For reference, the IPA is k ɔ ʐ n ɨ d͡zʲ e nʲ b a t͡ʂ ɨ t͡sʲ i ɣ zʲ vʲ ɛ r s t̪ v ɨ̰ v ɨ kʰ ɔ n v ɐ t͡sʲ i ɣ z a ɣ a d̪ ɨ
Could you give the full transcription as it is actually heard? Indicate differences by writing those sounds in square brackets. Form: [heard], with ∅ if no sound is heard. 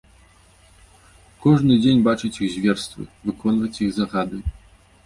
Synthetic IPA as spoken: k ɔ ʐ n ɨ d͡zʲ e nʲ b a t͡ʂ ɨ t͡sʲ i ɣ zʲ vʲ ɛ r s t̪ v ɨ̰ v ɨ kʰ ɔ n v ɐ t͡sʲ i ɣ z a ɣ a d̪ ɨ